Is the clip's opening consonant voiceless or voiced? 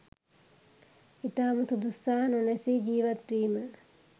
voiceless